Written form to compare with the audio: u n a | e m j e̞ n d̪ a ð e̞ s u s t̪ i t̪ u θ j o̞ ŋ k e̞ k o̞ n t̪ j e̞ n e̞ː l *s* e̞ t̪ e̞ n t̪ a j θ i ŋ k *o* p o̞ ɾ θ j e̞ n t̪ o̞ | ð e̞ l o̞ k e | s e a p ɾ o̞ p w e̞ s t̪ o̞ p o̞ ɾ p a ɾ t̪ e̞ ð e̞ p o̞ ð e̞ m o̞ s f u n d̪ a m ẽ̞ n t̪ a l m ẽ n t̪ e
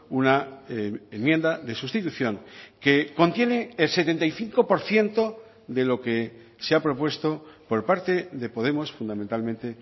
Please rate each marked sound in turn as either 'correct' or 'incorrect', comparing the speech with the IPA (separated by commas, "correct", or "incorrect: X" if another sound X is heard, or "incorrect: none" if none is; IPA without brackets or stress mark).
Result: correct, correct